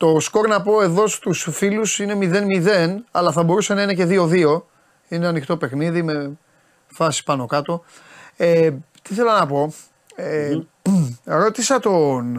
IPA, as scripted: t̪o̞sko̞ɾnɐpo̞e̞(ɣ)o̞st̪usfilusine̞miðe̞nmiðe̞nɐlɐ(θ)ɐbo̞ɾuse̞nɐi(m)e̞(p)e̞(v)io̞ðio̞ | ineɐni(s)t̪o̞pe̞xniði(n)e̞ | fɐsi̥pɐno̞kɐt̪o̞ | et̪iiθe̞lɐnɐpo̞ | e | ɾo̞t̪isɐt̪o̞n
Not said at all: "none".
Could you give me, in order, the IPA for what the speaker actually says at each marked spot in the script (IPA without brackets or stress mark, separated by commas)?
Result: ð, θ, n, c, ð, x, m